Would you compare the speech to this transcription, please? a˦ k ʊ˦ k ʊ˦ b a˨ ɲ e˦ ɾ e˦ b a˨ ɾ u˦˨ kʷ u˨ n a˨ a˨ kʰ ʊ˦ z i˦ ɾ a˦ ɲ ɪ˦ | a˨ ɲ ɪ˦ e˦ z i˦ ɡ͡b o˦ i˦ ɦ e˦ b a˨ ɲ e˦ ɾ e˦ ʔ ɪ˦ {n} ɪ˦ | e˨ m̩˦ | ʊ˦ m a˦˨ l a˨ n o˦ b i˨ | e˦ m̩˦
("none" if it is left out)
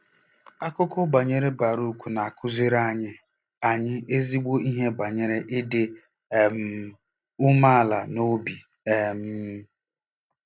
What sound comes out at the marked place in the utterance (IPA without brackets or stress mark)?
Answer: d